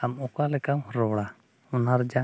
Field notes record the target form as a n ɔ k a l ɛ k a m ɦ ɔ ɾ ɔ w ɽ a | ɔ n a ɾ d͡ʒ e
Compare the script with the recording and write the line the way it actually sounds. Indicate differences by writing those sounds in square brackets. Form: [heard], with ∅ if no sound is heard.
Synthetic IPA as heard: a [m] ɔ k a l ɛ k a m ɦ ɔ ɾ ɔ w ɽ a | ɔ n a ɾ d͡ʒ [a]